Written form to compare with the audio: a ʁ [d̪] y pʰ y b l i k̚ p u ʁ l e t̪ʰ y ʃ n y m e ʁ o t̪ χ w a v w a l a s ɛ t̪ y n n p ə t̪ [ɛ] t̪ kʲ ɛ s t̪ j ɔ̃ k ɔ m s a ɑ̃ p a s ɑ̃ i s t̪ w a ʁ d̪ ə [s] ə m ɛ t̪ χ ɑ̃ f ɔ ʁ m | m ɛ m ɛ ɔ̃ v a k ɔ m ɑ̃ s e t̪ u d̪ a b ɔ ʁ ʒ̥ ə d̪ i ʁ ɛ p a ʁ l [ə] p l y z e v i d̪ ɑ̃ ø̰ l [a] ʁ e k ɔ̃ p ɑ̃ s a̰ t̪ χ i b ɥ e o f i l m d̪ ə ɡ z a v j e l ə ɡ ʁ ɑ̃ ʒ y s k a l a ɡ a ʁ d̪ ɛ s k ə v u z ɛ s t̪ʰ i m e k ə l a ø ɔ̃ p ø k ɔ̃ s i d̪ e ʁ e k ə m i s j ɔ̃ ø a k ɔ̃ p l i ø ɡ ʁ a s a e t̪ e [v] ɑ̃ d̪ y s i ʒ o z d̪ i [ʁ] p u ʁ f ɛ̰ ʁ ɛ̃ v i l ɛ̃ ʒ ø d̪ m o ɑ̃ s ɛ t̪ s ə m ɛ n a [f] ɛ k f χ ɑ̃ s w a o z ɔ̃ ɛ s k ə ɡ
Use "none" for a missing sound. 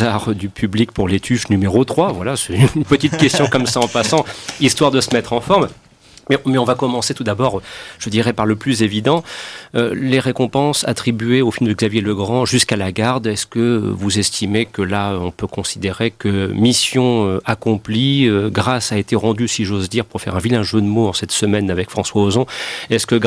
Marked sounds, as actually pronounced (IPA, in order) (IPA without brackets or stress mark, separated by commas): d̪, i, s, ə, e, ʁ, ʁ, v